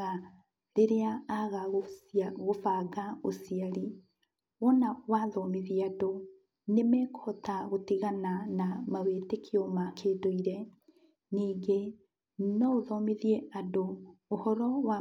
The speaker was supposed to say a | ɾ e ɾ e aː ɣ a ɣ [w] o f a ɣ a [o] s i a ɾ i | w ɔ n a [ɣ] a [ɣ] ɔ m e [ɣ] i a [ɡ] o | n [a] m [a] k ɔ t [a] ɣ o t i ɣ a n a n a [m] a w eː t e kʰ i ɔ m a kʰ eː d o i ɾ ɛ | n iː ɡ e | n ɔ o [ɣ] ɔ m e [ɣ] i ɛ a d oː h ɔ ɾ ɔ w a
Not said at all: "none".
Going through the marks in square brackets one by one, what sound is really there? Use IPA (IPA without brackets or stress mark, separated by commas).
ɣ, o, w, ð, ð, d, e, ɛ, a, m, ð, ð